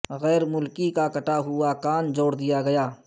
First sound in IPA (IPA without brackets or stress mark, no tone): ɣ